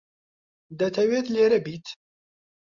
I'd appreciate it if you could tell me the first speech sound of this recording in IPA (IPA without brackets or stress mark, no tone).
d̪